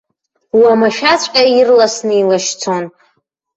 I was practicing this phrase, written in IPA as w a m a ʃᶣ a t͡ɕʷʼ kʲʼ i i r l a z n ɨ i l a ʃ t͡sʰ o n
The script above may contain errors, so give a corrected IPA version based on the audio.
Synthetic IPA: w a m a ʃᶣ a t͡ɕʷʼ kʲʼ a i r l a s n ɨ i l a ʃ t͡sʰ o n